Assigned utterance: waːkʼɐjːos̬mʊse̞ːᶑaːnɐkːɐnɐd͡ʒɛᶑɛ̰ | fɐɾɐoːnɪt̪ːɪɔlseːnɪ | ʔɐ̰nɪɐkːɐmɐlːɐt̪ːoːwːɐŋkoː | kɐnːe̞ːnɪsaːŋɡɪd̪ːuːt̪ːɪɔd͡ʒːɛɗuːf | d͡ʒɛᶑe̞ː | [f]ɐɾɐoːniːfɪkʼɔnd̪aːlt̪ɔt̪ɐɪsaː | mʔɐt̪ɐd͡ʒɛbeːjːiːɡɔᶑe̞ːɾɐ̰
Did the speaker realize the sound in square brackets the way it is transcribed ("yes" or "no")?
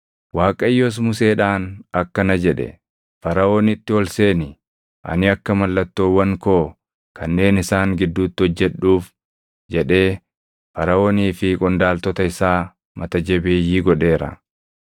yes